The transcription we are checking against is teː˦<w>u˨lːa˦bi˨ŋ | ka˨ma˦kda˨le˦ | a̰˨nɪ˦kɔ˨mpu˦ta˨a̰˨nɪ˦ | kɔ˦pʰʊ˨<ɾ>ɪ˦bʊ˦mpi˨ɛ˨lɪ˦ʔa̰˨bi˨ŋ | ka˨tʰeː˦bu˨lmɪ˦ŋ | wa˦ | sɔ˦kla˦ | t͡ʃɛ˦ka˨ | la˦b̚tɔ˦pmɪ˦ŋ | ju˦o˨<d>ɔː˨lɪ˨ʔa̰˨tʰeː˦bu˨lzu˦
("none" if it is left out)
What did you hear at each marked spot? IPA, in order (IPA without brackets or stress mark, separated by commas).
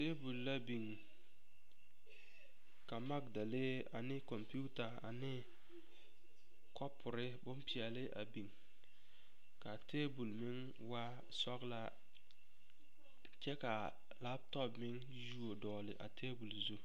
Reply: b, ɾ, d